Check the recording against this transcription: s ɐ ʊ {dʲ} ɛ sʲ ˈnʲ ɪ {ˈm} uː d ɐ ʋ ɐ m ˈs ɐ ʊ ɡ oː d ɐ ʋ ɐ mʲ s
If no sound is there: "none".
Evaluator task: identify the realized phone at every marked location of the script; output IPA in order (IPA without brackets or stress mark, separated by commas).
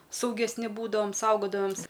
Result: ɡʲ, b